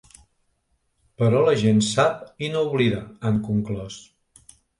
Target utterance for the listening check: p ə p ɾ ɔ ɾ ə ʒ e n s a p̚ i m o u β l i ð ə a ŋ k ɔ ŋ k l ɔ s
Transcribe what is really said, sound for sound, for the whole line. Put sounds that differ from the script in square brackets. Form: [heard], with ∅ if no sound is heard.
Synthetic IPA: p ə [∅] ɾ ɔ [l] ə ʒ e n s a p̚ i [n] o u β l i ð ə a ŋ k [u] ŋ k l ɔ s